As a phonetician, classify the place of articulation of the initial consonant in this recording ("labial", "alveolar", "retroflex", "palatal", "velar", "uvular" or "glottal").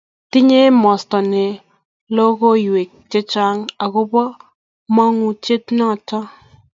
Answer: alveolar